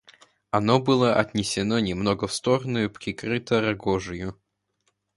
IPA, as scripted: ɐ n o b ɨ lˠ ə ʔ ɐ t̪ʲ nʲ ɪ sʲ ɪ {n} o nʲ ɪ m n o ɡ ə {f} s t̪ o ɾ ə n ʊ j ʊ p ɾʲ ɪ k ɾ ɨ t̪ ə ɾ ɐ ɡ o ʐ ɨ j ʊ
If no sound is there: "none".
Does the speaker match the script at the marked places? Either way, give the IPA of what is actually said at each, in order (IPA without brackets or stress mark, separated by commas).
n, f